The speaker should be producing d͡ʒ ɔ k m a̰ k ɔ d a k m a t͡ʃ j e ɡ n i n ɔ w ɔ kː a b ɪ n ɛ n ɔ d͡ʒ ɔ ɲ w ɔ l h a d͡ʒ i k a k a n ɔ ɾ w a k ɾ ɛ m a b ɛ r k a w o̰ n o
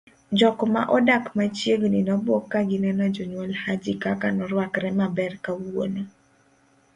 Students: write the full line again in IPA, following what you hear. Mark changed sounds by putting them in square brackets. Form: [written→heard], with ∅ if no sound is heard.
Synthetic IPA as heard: d͡ʒ ɔ k m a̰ [k→ʔ] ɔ d a k m a t͡ʃ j e ɡ n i n ɔ [w→b] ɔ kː a [b→ɡ] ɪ n ɛ n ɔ d͡ʒ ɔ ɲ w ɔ l h a d͡ʒ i k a k a n ɔ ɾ w a k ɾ ɛ m a b ɛ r k a w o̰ n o